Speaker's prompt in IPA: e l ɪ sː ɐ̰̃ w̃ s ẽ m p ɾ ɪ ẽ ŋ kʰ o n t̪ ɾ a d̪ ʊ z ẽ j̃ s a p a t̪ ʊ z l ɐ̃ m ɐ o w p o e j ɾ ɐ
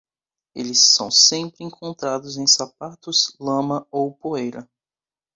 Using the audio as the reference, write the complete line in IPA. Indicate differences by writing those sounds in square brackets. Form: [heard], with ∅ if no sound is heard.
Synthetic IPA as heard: e l ɪ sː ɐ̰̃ w̃ s ẽ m p ɾ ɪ ẽ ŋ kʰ [õ] n t̪ ɾ a d̪ ʊ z ẽ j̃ s a p a t̪ ʊ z l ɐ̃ m ɐ o w p o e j ɾ ɐ